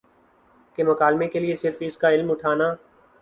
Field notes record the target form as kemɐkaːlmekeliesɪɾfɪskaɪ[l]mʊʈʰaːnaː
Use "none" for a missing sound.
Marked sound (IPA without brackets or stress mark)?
l